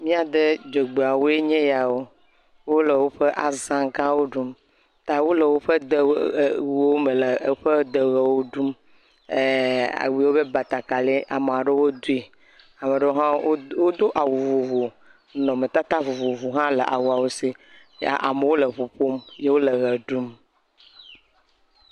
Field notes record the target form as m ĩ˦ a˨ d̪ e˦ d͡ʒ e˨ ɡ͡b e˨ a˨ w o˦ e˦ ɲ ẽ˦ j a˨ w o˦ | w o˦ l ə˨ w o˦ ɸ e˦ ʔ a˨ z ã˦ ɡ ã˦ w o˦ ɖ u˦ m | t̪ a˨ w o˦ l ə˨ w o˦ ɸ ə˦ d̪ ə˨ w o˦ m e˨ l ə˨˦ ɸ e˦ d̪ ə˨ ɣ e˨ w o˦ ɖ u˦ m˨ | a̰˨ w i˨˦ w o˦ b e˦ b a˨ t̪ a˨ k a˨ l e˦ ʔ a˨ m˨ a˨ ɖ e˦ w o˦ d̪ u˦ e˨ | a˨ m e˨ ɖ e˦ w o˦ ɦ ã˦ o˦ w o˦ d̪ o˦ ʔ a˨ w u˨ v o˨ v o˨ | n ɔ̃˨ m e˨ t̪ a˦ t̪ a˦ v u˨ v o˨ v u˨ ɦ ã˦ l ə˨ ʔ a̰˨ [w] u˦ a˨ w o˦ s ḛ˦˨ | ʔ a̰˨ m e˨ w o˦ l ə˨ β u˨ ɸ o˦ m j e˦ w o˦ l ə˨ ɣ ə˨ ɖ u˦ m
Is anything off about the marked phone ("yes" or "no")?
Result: no